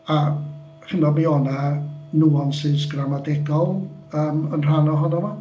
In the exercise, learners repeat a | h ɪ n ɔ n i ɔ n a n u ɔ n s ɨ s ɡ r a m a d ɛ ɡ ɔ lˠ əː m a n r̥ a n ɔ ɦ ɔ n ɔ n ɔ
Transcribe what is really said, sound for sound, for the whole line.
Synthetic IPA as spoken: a | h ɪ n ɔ m i ɔ n a n u ɔ n s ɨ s ɡ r a m a d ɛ ɡ ɔ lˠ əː m ə n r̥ a n ɔ ɦ ɔ n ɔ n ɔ

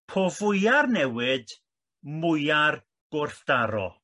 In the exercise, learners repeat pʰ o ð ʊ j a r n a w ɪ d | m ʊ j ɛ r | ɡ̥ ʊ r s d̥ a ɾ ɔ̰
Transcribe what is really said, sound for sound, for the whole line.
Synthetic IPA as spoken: pʰ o v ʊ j a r n ɛ w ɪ d | m ʊ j a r | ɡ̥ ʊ r θ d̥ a ɾ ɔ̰

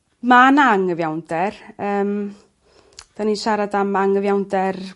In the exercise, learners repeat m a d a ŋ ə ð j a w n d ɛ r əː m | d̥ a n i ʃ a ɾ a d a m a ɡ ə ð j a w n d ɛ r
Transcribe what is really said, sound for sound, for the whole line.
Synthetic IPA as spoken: m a n a ŋ ə v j a w n d ɛ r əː m | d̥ a n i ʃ a ɾ a d a m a ŋ ə v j a w n d ɛ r

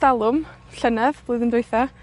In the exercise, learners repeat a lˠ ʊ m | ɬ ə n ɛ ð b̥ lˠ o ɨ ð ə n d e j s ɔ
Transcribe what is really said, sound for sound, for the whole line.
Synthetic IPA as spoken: a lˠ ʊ m | ɬ ə n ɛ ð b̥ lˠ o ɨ ð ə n d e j θ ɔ

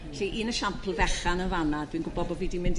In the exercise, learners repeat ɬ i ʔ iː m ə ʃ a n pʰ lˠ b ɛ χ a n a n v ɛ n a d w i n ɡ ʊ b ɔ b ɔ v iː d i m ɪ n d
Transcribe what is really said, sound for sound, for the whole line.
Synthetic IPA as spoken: ɬ i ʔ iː n ə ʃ a m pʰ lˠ v ɛ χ a n ə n v a n a d w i n ɡ ʊ b ɔ b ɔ v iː d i m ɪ n d

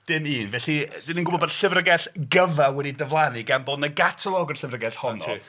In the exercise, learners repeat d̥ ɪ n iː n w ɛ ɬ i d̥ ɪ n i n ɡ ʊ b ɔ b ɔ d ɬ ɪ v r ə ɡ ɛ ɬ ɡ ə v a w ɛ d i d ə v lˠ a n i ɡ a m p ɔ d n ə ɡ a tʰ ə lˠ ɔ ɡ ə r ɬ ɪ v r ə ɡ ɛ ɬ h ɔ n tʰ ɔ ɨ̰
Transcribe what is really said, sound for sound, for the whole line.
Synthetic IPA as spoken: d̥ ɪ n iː n v ɛ ɬ i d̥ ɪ n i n ɡ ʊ b ɔ b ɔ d ɬ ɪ v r ə ɡ ɛ ɬ ɡ ə v a w ɛ d i d ə v lˠ a n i ɡ a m b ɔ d n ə ɡ a tʰ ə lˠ ɔ ɡ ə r ɬ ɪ v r ə ɡ ɛ ɬ h ɔ n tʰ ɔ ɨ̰

